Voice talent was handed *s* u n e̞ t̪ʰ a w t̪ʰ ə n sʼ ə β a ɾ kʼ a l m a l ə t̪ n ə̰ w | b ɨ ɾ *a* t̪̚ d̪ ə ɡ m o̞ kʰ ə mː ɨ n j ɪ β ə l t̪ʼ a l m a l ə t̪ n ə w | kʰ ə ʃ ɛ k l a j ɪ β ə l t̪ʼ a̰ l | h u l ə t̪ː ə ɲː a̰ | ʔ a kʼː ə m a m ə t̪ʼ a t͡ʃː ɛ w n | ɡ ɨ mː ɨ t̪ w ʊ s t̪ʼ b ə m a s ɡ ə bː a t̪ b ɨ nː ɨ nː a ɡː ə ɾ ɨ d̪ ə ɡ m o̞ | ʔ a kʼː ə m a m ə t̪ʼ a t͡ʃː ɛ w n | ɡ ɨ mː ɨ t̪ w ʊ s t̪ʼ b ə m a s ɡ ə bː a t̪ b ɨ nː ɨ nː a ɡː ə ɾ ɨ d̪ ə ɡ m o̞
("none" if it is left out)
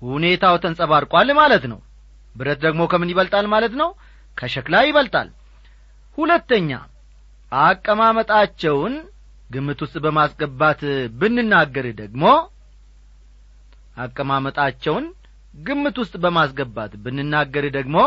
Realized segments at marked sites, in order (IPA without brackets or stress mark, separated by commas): h, ə